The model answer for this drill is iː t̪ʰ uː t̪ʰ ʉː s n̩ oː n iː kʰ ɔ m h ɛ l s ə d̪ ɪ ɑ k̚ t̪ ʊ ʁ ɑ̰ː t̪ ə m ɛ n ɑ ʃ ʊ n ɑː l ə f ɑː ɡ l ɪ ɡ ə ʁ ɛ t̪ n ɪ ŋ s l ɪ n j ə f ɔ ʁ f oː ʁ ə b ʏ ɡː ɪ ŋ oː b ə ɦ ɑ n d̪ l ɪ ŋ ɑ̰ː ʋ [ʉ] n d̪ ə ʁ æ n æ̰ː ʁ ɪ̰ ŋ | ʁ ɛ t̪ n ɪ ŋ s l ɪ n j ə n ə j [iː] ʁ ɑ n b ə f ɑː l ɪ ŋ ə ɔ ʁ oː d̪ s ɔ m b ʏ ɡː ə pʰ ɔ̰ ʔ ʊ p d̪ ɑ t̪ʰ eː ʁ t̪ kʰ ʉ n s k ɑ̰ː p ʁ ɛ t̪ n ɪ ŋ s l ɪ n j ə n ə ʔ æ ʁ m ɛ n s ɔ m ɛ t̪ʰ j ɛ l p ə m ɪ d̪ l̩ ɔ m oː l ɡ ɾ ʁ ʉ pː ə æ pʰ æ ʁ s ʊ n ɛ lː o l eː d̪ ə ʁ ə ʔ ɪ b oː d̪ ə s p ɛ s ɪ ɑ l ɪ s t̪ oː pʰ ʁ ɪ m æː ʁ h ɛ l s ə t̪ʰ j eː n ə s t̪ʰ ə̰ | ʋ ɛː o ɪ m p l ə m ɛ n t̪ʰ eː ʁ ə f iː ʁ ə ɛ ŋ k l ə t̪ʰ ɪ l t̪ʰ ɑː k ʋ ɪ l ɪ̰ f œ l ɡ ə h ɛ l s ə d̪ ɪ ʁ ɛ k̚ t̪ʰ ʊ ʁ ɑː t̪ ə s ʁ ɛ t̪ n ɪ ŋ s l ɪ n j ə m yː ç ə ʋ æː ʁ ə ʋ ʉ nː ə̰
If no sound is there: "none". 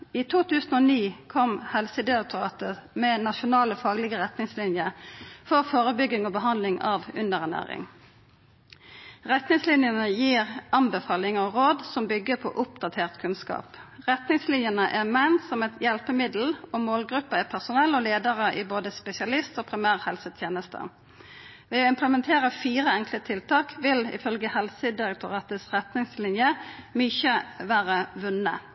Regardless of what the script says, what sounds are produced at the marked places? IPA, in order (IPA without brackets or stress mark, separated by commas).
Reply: ʉ, iː